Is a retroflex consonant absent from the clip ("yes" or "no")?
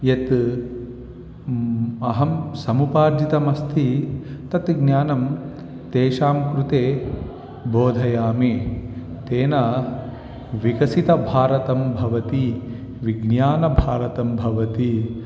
yes